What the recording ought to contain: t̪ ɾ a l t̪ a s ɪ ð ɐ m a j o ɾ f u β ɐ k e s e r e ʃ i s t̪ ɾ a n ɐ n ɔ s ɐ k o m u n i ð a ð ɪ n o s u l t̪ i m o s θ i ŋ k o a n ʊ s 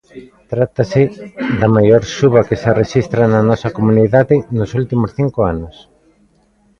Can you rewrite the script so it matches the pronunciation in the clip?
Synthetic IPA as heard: t̪ ɾ a t̪ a s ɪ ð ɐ m a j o ɾ ʃ u β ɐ k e s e r e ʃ i s t̪ ɾ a n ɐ n ɔ s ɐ k o m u n i ð a ð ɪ n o s u l t̪ i m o s θ i ŋ k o a n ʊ s